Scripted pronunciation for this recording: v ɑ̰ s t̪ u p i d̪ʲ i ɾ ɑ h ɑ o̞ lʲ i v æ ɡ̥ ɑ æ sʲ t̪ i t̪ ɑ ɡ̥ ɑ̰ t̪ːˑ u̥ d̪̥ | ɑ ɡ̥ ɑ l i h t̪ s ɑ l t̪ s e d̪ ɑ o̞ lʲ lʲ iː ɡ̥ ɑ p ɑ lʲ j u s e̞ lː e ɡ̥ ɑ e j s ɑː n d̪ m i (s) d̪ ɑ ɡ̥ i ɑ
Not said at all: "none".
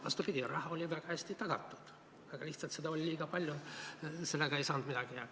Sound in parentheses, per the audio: none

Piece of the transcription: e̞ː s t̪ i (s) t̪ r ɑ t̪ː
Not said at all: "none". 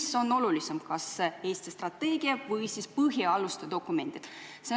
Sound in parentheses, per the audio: s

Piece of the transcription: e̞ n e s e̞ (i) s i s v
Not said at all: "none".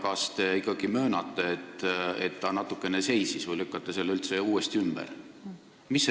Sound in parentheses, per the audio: j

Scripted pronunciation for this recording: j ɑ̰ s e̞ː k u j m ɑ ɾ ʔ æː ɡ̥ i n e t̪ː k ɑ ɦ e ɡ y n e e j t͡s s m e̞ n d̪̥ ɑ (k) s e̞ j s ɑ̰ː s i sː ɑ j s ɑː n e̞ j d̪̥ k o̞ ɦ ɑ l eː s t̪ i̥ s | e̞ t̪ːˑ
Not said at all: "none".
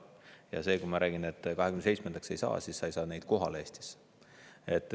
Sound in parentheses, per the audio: k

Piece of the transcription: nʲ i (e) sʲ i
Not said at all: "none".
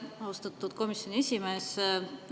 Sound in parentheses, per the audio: e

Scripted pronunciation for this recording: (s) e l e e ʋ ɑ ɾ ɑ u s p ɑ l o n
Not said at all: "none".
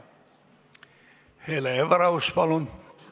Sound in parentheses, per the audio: h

